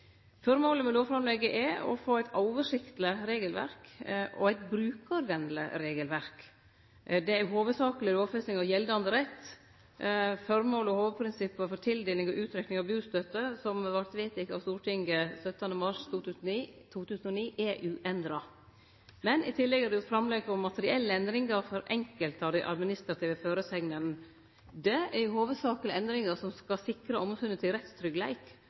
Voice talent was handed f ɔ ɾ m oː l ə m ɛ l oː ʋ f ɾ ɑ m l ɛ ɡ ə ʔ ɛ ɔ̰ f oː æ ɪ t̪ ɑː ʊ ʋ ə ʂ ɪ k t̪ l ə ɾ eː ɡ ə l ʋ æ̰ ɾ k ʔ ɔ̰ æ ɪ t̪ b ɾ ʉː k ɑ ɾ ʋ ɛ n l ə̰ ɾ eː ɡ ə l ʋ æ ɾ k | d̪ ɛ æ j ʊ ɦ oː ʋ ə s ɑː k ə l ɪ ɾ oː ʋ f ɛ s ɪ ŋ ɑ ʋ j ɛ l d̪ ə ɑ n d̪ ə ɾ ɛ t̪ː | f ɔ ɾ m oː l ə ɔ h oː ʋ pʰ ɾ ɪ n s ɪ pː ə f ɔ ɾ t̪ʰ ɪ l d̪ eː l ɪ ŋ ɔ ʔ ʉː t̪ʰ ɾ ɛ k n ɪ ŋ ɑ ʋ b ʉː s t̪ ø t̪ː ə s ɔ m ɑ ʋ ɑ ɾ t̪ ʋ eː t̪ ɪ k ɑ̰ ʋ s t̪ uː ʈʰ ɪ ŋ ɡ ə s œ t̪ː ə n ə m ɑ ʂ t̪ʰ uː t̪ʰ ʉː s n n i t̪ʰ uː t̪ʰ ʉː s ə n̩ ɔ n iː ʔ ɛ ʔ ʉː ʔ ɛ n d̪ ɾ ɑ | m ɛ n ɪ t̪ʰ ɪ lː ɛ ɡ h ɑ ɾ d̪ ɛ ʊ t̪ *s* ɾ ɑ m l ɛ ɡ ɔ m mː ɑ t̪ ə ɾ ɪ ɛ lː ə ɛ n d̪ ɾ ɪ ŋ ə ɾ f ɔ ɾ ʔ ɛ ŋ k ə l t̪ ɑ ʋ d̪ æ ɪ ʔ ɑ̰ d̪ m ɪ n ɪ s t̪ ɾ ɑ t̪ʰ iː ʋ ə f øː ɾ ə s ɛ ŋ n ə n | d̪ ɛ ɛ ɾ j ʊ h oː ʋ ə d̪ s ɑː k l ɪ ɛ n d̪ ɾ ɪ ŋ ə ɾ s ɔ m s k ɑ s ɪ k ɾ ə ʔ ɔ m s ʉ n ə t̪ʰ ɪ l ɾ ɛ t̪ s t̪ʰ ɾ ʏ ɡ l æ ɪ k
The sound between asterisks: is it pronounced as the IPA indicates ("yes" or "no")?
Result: no